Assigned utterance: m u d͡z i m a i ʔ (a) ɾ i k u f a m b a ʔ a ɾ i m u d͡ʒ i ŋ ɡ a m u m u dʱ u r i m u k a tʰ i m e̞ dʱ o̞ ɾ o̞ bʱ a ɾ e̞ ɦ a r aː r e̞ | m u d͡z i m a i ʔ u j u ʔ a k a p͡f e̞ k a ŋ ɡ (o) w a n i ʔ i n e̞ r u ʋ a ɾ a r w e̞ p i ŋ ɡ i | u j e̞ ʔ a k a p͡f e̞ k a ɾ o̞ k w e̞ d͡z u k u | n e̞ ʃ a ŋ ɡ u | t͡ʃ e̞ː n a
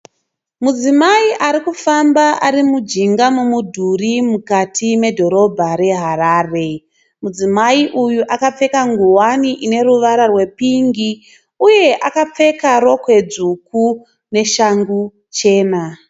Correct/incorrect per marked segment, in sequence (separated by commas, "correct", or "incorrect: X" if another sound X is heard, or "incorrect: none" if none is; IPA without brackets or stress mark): correct, incorrect: u